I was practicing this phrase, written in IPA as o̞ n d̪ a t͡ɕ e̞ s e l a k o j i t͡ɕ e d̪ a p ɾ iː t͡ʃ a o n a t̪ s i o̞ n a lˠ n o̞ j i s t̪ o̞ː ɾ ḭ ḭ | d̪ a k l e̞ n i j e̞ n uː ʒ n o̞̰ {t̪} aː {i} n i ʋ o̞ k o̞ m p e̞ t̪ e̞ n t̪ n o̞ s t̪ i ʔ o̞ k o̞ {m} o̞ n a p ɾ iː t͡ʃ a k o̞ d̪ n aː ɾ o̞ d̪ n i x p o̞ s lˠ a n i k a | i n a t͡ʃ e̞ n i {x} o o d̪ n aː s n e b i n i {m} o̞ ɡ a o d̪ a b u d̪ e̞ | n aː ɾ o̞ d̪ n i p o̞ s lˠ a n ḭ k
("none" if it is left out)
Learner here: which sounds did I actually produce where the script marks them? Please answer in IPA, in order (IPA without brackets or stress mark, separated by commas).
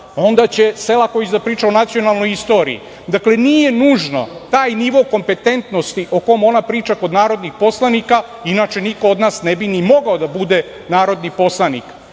t̪, j, m, k, m